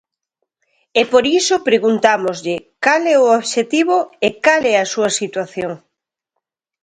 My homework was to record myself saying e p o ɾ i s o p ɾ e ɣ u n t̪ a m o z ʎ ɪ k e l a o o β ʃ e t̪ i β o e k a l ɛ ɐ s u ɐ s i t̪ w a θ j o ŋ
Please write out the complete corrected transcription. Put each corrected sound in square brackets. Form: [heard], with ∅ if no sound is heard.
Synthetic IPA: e p o ɾ i s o p ɾ e ɣ u n t̪ a m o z ʎ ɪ k [a] l [ɛ] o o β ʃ e t̪ i β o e k a l ɛ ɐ s u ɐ s i t̪ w a θ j o ŋ